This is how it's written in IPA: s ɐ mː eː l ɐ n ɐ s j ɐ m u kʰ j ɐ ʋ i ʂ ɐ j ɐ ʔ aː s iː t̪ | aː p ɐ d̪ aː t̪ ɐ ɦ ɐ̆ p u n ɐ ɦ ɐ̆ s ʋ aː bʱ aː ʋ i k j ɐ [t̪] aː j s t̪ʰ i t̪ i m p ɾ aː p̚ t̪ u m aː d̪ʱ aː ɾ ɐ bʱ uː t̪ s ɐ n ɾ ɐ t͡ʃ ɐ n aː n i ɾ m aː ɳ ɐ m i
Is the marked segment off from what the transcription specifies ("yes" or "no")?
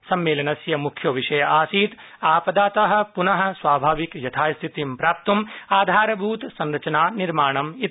yes